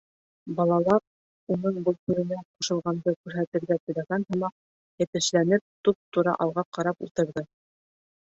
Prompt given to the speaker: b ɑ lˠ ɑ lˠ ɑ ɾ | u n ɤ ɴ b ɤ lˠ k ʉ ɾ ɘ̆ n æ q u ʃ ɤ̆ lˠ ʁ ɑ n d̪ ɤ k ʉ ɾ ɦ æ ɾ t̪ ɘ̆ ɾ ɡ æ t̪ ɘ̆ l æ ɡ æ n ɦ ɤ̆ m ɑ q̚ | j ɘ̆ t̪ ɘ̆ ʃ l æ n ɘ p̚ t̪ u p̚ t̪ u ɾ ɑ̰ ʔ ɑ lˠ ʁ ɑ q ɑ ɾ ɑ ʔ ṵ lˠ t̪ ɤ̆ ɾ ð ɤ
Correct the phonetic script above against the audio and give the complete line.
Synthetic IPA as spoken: b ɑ lˠ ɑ lˠ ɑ ɾ | u n ɤ ɴ b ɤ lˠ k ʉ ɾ ɘ̆ n æ q u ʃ ɤ̆ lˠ ʁ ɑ n d̪ ɤ k ʉ ɾ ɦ æ t̪ ɘ̆ ɾ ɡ æ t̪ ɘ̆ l æ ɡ æ n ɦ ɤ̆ m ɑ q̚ | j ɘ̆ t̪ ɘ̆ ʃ l æ n ɘ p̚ t̪ u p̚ t̪ u ɾ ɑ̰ ʔ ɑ lˠ ʁ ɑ q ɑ ɾ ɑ p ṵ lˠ t̪ ɤ̆ ɾ ð ɤ